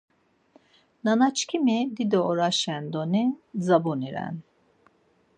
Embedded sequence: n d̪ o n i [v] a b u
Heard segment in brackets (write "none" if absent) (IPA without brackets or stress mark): z